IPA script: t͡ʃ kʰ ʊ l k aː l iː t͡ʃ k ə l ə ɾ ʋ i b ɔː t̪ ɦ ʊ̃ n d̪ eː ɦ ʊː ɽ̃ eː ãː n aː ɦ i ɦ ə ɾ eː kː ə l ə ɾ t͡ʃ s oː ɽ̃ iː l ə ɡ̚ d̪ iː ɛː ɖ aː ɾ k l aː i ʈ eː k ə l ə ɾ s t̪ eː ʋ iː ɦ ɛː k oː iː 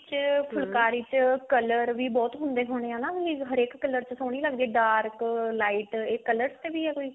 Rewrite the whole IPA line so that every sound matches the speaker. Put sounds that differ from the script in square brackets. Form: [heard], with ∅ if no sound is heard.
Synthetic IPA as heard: t͡ʃ [pʰ] ʊ l k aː [ɾ] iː t͡ʃ k ə l ə ɾ ʋ [iː] b ɔː t̪ ɦ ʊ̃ n d̪ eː ɦ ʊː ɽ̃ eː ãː n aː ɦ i ɦ ə ɾ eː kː ə l ə ɾ t͡ʃ s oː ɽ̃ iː l ə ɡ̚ d̪ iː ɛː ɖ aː ɾ k l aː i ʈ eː k ə l ə ɾ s t̪ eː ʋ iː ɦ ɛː k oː iː